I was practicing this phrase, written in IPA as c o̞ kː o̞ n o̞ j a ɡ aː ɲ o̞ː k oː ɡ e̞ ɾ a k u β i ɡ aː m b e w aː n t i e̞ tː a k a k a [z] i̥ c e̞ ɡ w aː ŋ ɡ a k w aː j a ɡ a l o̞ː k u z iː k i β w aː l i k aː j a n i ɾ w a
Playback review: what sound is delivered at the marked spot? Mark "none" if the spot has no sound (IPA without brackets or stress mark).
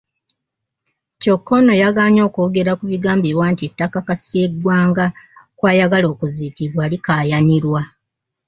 s